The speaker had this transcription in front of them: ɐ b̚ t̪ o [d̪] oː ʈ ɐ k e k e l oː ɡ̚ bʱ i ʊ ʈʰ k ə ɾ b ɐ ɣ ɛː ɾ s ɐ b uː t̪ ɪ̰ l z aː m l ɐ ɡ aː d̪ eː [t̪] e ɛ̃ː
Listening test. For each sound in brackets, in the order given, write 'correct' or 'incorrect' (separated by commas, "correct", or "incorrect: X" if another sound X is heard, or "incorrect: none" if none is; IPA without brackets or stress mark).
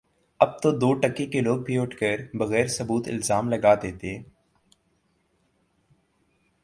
correct, correct